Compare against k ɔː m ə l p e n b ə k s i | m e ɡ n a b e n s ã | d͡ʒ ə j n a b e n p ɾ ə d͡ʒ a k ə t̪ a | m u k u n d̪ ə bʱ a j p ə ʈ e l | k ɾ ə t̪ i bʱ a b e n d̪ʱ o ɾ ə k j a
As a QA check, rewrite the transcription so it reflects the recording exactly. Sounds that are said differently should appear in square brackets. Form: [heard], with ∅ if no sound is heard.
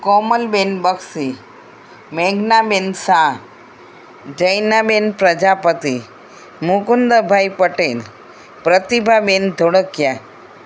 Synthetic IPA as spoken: k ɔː m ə l [b] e n b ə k s i | m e ɡ n a b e n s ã | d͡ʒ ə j n a b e n p ɾ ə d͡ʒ a [p] ə t̪ [i] | m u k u n d̪ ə bʱ a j p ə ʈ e l | [p] ɾ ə t̪ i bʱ a b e n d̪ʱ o [ɽ] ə k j a